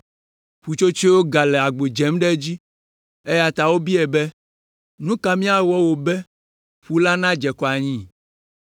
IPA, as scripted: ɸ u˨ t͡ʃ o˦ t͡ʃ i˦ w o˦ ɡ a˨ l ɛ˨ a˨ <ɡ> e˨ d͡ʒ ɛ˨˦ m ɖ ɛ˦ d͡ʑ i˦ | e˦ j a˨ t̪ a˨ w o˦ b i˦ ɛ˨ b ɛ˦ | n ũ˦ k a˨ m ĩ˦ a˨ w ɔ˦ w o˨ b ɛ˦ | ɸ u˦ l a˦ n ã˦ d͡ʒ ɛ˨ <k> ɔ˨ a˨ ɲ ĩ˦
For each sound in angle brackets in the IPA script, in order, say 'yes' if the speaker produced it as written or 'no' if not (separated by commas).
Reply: no, yes